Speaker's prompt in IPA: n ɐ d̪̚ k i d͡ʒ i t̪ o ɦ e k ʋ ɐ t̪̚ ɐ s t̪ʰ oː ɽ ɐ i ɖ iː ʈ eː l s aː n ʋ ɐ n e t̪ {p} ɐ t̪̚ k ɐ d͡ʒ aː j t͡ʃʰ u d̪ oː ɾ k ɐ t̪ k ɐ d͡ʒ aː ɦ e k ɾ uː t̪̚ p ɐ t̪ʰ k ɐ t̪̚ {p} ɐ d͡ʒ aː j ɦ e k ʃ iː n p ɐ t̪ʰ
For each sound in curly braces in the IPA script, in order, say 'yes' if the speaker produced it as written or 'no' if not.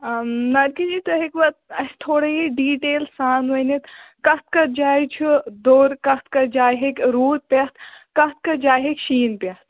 no, no

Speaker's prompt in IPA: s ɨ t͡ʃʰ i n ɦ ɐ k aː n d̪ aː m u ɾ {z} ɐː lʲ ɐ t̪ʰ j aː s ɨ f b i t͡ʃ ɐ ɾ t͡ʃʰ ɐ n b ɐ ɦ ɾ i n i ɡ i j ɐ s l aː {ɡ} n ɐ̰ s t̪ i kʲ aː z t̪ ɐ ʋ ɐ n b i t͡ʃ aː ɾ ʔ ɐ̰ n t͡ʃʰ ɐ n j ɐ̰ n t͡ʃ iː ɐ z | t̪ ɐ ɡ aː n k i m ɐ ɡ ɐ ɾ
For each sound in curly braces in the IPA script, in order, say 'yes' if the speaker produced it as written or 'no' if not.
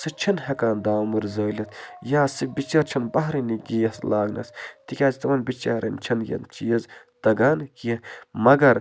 yes, yes

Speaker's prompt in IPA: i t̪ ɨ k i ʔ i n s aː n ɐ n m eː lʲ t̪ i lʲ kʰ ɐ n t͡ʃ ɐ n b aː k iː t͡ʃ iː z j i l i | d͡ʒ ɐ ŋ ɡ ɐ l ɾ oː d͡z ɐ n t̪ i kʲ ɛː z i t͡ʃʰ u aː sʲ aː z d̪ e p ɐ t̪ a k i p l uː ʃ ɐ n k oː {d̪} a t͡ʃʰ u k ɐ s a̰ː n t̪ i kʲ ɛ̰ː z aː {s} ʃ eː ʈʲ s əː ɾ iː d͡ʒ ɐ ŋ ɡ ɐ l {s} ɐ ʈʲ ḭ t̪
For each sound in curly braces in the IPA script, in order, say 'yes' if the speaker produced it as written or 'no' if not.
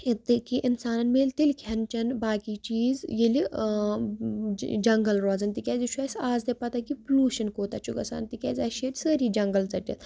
no, no, no

